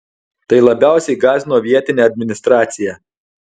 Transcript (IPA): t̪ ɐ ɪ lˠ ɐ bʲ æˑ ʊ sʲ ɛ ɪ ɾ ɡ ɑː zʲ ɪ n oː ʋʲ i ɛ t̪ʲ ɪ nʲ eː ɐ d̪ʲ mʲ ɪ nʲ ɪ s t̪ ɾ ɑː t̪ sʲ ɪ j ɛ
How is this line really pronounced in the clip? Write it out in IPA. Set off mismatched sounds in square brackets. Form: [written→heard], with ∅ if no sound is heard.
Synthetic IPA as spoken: t̪ ɐ ɪ lˠ ɐ bʲ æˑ ʊ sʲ ɛ ɪ [ɾ→∅] ɡ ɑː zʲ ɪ n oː ʋʲ i ɛ t̪ʲ ɪ nʲ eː ɐ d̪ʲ mʲ ɪ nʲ ɪ s t̪ ɾ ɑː t̪ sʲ ɪ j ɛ